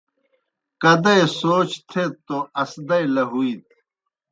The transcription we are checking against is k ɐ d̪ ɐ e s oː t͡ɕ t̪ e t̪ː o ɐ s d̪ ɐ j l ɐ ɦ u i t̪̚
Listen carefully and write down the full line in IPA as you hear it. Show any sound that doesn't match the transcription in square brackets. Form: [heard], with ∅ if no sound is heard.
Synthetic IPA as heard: k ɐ d̪ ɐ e s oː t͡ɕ [t̪ʰ] e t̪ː o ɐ s d̪ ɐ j l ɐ ɦ u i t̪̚